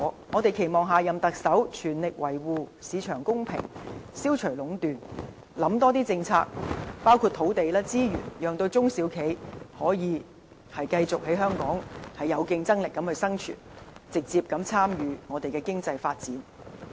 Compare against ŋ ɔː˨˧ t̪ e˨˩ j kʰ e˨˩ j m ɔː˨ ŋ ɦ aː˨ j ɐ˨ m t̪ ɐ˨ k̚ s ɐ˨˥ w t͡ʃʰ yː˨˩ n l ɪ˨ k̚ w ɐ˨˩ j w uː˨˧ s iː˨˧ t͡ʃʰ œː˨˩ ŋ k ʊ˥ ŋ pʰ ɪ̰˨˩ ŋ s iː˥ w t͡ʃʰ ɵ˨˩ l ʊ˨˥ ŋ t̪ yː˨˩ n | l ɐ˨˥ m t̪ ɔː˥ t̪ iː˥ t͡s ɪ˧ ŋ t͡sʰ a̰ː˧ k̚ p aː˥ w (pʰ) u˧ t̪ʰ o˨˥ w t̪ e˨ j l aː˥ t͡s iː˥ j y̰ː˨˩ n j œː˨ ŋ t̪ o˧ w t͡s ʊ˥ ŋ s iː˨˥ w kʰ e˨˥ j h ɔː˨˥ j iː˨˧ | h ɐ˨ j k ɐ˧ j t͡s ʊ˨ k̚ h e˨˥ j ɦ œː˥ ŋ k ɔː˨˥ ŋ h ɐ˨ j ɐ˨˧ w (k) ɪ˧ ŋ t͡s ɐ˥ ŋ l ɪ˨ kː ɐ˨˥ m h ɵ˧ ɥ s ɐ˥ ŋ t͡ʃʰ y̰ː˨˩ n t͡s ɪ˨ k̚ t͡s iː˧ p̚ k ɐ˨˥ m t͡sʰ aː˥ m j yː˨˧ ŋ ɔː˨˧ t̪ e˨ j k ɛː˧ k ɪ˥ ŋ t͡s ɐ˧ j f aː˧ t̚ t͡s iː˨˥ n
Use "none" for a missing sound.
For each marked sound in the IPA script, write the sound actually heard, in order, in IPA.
kʰ, k

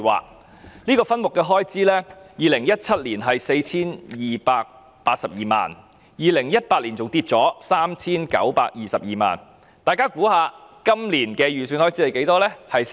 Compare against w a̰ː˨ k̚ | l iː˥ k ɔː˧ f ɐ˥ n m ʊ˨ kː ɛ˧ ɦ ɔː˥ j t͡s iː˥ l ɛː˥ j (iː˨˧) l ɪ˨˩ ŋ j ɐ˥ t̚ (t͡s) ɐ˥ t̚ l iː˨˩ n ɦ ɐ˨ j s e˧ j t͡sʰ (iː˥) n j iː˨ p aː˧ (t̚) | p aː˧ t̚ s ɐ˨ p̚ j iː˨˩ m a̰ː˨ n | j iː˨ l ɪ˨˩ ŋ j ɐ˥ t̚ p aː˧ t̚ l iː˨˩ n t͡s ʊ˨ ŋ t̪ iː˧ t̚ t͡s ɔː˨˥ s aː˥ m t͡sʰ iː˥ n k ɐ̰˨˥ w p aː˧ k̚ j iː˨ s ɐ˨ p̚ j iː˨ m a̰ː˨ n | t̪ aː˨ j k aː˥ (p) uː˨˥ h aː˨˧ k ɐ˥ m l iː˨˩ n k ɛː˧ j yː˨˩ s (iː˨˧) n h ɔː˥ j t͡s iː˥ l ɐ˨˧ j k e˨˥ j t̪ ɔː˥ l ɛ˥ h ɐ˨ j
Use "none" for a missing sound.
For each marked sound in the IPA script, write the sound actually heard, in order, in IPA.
iː˨˧, t͡sʰ, iː˥, k̚, k, yː˨˧

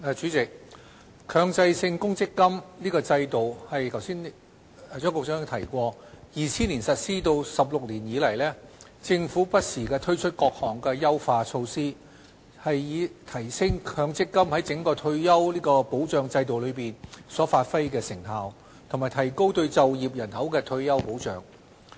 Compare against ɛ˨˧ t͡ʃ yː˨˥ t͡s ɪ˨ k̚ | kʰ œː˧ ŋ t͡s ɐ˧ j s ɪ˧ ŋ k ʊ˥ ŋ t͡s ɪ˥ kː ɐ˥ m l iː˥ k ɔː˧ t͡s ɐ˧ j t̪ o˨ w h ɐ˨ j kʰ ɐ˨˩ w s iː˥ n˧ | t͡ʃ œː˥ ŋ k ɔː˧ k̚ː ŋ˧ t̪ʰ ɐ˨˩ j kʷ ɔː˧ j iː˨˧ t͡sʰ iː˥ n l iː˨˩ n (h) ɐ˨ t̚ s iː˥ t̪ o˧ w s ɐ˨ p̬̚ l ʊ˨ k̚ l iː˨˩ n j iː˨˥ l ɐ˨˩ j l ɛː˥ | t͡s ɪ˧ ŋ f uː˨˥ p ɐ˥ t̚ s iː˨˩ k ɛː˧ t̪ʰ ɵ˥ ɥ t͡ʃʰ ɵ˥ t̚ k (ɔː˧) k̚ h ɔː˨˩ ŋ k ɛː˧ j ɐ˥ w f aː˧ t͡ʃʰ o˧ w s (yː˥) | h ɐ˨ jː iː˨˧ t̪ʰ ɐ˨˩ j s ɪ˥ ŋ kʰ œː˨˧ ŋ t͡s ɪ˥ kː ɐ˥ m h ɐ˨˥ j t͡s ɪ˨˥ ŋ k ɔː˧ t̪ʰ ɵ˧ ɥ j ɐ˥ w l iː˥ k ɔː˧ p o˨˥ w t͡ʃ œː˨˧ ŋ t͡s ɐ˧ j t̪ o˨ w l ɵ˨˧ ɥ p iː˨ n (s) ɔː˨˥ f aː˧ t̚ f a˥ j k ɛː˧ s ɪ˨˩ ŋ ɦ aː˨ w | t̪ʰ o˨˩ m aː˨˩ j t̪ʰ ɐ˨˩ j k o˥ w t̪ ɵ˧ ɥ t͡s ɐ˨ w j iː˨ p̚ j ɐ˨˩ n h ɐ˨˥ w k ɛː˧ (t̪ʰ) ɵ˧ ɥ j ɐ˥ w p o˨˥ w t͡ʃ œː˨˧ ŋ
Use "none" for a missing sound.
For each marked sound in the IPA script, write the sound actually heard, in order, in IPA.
s, ɔː˧, iː˥, s, t̪ʰ

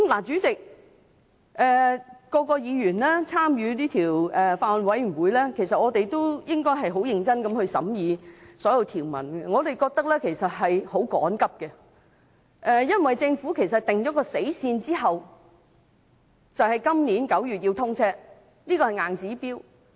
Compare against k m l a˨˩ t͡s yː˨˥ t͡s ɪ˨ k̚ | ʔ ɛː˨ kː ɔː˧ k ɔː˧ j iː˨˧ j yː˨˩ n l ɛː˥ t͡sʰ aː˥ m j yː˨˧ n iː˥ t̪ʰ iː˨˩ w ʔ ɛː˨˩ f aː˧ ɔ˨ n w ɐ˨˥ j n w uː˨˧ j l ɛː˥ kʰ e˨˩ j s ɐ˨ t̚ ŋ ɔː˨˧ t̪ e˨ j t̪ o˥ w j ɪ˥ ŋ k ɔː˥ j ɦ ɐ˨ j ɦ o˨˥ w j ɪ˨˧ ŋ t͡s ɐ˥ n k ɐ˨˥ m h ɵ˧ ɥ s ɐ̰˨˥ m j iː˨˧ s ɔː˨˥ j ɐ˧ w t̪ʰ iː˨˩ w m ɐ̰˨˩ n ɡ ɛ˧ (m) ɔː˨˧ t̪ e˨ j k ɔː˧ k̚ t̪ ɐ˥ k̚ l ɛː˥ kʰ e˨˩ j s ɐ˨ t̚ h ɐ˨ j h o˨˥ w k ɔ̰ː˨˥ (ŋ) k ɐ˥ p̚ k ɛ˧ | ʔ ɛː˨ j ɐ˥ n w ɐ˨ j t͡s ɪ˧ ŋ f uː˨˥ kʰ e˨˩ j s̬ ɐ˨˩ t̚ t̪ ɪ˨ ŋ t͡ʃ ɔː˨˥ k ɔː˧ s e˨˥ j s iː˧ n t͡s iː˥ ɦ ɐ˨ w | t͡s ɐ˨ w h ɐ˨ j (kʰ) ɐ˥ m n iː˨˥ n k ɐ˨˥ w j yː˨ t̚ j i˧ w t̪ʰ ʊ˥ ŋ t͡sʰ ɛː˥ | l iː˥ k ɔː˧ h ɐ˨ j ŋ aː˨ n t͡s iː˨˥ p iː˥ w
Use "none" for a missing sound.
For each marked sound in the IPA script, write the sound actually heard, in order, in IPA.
ŋ, n, k

